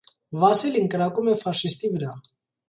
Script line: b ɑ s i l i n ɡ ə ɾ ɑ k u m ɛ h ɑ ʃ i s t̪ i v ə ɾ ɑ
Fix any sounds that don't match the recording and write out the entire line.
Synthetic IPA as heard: v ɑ s i l i n k ə ɾ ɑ k u m ɛ f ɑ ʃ i s t̪ i v ə ɾ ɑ

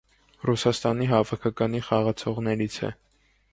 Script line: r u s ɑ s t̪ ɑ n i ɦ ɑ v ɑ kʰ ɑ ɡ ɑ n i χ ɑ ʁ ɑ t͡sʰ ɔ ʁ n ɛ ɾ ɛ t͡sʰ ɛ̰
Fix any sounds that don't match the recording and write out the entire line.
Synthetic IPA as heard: r u s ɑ s t̪ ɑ n i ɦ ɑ v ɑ kʰ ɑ k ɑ n i χ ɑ ʁ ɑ t͡sʰ ɔ ʁ n ɛ ɾ i t͡sʰ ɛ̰

